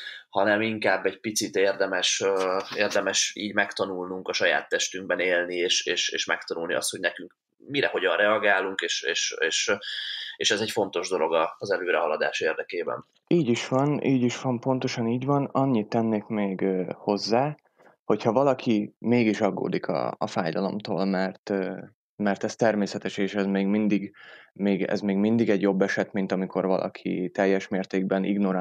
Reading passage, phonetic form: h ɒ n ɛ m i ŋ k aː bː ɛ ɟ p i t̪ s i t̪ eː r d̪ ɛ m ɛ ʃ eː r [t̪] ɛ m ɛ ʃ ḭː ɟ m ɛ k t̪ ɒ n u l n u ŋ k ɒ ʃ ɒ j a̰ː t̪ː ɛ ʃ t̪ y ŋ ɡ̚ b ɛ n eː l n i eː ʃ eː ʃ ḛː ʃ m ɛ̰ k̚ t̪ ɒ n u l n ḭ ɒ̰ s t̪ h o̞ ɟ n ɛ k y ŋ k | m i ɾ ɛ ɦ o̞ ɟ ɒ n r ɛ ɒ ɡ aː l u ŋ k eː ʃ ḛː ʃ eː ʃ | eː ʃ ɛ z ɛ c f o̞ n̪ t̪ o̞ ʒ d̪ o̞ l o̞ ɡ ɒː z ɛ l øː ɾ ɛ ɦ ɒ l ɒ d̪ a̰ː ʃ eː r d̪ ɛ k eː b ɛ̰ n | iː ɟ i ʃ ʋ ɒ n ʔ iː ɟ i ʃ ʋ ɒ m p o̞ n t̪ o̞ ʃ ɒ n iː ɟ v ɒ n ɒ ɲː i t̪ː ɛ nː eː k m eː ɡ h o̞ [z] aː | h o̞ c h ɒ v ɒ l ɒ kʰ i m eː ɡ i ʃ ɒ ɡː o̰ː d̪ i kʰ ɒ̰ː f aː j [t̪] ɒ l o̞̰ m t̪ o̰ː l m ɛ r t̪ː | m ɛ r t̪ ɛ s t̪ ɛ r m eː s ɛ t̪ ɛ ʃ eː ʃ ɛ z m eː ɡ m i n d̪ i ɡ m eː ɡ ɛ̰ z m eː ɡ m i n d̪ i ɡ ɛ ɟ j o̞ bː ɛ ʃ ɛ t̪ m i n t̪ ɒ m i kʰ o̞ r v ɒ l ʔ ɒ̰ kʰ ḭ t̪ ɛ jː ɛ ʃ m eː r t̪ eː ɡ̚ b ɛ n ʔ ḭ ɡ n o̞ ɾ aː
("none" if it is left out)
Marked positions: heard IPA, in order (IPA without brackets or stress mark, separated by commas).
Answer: d̪, zː, d̪